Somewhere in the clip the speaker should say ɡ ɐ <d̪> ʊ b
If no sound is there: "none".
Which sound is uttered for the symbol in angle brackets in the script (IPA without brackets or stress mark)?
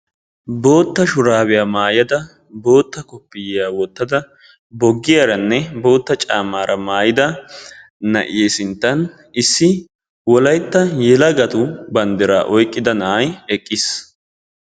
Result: t̪